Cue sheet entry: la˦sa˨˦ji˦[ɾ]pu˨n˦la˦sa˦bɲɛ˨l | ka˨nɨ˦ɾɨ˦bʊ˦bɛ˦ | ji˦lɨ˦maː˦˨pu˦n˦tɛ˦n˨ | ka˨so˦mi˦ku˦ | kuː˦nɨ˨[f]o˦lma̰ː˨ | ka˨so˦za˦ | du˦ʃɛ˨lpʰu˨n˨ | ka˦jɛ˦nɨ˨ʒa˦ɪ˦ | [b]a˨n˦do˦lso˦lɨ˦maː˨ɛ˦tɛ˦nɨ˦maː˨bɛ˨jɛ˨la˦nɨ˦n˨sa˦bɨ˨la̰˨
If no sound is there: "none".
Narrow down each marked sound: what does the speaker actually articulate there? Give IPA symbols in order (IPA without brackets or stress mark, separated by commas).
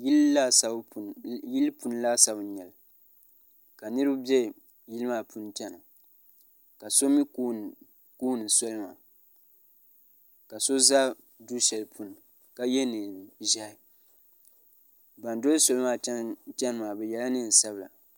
l, s, b